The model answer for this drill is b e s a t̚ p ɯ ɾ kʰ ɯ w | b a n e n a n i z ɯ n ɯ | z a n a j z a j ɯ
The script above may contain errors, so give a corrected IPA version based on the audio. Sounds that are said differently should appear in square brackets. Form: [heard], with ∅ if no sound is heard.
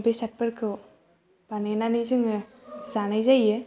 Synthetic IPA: b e s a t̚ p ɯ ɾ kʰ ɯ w | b a n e n a n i z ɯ [ŋ] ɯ | z a n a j z a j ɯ